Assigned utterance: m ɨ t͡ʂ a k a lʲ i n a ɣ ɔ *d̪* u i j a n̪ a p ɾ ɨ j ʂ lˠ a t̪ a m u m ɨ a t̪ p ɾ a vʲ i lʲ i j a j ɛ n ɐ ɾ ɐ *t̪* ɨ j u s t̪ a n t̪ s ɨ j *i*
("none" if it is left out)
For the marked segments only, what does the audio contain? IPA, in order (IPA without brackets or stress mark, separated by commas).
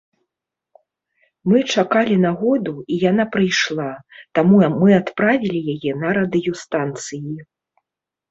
d̪, d̪, i